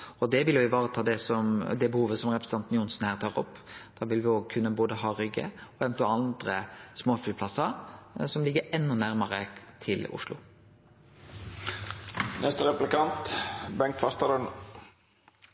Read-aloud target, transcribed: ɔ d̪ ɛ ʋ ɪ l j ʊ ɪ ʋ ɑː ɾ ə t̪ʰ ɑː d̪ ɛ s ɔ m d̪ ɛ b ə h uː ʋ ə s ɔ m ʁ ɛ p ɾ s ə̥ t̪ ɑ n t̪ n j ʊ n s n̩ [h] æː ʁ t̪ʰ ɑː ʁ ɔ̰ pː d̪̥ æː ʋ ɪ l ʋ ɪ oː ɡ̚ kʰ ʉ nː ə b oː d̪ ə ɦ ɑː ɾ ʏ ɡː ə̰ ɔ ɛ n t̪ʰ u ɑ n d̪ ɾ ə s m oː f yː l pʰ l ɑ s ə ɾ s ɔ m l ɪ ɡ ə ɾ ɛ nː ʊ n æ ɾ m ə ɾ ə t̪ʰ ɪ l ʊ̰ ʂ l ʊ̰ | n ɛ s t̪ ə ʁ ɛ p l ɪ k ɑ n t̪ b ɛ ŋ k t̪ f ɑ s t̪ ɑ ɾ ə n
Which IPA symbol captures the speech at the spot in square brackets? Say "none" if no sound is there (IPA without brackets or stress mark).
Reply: h